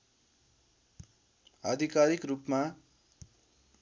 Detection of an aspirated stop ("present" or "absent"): absent